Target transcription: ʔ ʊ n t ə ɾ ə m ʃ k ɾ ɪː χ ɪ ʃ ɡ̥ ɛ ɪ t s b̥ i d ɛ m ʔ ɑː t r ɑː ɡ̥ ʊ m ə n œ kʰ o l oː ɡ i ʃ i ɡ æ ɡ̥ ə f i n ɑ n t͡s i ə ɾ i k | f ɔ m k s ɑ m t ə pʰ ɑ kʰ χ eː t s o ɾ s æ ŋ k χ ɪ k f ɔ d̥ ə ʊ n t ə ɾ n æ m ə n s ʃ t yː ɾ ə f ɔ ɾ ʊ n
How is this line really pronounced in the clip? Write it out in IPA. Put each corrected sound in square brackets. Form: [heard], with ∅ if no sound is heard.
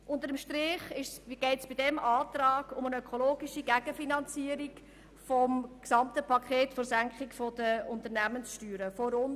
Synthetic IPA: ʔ ʊ n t ə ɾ ə m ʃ [t] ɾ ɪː χ ɪ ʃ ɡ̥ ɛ ɪ t s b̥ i d ɛ m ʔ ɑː t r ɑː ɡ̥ ʊ m ə n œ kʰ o l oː ɡ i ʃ i ɡ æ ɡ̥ ə f i n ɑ n t͡s i ə ɾ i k | f ɔ m k s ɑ m t ə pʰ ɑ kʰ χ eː t [f] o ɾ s æ ŋ k χ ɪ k f ɔ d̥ ə ʊ n t ə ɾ n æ m ə n s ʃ t yː ɾ ə f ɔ ɾ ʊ n